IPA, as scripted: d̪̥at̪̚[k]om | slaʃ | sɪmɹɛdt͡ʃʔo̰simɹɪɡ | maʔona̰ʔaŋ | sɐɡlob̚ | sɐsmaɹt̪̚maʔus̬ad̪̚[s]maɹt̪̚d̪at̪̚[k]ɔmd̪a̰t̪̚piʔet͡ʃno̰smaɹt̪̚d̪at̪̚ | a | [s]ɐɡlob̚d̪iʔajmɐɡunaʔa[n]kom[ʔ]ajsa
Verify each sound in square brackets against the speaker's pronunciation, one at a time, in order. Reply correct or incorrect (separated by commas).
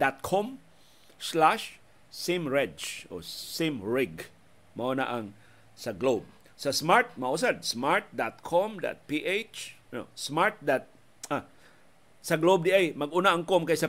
incorrect, correct, incorrect, correct, incorrect, incorrect